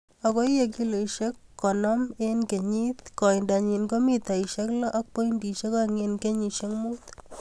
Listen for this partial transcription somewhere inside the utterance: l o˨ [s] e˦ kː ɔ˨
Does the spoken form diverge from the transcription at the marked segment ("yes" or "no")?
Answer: yes